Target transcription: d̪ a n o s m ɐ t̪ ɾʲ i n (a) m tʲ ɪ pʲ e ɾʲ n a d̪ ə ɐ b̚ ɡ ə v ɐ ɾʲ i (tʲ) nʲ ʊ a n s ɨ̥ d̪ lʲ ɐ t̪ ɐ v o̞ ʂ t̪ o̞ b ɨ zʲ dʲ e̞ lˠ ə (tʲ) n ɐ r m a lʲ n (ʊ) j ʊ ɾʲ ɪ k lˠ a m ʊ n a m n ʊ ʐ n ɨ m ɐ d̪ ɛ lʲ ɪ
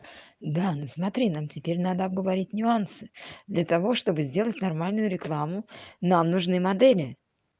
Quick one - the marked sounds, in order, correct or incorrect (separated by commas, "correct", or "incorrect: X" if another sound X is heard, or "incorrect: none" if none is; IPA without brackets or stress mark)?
correct, correct, correct, correct